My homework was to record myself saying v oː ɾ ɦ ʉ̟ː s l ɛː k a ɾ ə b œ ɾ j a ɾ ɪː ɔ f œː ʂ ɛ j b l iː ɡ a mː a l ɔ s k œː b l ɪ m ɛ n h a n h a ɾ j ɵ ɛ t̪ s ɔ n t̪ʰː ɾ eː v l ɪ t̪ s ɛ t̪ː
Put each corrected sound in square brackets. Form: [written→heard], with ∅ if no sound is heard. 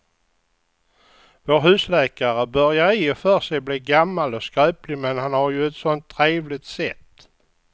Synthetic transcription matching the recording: v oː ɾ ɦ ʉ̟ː s l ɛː k a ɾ ə b œ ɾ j a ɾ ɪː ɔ f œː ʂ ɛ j b l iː ɡ a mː a l ɔ s k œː [b→p] l ɪ m ɛ n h a n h a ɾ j ɵ ɛ t̪ s ɔ n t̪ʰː ɾ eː v l ɪ t̪ s ɛ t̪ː